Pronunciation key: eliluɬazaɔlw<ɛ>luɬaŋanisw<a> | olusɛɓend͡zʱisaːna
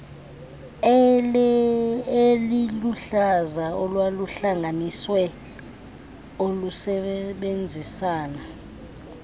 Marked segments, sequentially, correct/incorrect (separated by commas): incorrect, incorrect